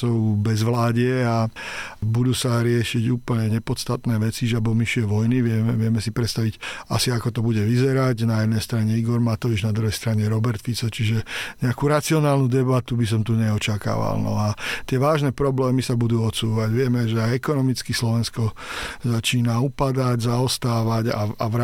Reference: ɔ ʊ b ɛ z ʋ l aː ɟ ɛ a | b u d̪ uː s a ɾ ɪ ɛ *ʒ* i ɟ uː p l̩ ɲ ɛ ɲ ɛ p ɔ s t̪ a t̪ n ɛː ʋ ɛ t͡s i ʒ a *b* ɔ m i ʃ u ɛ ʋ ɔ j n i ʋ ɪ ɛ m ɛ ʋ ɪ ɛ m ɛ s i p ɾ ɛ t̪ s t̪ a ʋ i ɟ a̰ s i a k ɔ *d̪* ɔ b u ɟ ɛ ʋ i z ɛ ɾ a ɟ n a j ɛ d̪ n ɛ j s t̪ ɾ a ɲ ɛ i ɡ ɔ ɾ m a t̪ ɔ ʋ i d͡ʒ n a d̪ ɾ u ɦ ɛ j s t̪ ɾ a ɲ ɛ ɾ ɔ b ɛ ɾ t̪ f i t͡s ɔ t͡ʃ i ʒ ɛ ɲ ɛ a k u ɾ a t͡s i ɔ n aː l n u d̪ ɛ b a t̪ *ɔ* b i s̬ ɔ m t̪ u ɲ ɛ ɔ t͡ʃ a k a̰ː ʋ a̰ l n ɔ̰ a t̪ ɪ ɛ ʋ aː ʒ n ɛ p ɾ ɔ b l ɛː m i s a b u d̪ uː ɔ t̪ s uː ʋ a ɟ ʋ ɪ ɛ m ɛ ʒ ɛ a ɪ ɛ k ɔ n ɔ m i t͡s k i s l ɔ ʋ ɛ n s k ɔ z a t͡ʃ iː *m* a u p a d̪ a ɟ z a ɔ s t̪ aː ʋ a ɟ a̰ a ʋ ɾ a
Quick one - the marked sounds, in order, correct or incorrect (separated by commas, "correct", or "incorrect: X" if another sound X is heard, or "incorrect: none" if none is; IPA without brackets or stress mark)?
incorrect: ʃ, correct, incorrect: t̪, incorrect: u, incorrect: n